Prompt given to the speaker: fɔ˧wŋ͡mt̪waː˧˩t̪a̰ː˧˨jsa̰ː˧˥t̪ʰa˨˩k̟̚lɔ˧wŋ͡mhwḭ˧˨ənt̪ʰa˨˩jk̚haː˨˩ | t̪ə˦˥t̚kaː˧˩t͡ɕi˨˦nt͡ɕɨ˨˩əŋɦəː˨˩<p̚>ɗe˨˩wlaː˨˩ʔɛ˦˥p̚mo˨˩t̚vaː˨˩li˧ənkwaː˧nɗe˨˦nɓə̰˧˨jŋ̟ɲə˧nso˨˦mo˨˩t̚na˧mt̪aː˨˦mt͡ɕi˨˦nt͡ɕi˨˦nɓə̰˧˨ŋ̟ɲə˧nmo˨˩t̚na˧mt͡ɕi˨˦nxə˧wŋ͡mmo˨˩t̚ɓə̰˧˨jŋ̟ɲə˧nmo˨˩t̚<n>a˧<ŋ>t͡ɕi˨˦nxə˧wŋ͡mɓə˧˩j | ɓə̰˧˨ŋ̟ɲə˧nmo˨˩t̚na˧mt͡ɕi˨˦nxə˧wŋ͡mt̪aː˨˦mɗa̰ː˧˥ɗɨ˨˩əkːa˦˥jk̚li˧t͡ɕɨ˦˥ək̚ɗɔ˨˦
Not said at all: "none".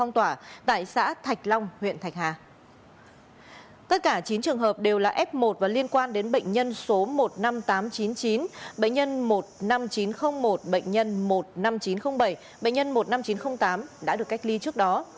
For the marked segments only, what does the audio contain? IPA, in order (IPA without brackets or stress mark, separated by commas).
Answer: p̚, n, m